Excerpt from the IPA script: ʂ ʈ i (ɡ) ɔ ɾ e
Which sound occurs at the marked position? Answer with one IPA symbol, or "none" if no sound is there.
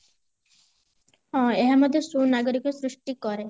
k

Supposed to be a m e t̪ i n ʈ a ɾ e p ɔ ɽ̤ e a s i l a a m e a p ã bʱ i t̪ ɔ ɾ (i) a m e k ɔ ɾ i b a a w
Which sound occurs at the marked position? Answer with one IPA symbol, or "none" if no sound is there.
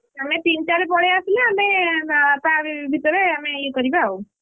e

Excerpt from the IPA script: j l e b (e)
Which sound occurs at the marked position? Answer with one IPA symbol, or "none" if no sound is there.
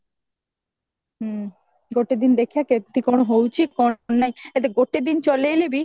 i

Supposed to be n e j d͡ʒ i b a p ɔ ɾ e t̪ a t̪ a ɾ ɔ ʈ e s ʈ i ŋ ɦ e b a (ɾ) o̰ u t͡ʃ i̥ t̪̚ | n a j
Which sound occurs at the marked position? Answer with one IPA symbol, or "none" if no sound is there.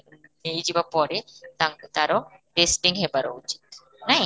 ɾ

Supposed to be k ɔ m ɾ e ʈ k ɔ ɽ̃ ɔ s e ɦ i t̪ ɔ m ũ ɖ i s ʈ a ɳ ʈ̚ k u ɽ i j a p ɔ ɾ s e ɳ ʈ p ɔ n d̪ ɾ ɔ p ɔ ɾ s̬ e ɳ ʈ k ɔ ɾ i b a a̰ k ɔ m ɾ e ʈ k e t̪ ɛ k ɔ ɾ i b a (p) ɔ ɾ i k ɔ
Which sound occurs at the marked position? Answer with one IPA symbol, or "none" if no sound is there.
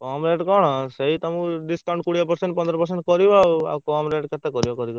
k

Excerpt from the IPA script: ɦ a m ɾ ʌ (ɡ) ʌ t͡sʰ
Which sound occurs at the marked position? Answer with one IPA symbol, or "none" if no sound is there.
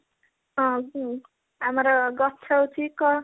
ɡ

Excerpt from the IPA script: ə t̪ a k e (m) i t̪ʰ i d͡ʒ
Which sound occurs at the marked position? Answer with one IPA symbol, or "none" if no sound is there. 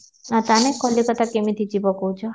m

